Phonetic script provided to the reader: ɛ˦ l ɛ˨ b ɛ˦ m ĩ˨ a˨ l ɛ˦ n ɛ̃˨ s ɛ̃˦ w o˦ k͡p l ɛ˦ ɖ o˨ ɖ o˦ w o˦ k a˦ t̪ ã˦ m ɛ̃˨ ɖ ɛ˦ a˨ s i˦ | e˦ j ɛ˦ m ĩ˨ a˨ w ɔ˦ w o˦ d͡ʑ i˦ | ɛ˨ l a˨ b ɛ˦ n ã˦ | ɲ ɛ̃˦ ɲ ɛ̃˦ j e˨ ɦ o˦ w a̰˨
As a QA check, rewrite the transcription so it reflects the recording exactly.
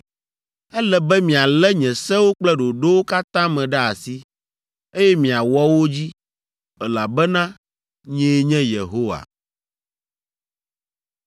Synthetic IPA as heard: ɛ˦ l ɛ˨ b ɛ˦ m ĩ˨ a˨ l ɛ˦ ɲ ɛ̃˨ s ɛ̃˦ w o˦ k͡p l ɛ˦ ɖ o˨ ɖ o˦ w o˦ k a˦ t̪ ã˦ m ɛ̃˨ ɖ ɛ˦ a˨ s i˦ | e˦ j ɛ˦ m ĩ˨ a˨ w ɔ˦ w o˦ d͡ʑ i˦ | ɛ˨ l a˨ b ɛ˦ n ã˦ | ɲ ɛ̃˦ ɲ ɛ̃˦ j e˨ ɦ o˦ w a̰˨